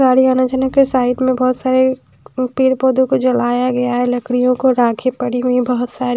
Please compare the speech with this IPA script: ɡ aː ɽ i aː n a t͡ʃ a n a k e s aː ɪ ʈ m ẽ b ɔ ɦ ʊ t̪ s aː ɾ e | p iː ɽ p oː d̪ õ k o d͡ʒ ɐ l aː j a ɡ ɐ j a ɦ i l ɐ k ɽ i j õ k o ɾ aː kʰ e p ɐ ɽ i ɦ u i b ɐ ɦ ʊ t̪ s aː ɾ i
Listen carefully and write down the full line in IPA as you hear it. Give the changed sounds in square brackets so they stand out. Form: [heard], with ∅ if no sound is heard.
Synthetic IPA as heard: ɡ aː ɽ i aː n a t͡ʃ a n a k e s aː ɪ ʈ m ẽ b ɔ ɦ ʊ t̪ s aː ɾ e | p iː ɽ p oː d̪ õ k o d͡ʒ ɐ l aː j a ɡ ɐ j a ɦ [ɛ] l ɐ k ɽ i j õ k o ɾ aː kʰ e p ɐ ɽ i ɦ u i b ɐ ɦ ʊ t̪ s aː ɾ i